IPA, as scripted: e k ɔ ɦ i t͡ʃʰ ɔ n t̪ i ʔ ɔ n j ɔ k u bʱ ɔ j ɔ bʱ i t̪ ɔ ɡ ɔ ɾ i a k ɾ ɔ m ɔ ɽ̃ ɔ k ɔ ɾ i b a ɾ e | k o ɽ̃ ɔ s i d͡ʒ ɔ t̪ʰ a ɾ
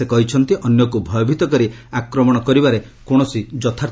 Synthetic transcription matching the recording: e k ɔ ɦ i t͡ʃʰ ɔ n t̪ i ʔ ɔ n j ɔ k u bʱ ɔ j ɔ bʱ i t̪ ɔ k ɔ ɾ i a k ɾ ɔ m ɔ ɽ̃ ɔ k ɔ ɾ i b a ɾ e | k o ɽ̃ ɔ s i d͡ʒ ɔ t̪ʰ a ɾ